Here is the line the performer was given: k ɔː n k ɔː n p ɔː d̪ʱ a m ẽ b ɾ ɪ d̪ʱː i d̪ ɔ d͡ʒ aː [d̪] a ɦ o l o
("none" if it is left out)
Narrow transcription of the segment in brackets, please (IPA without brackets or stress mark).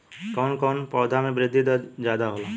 d̪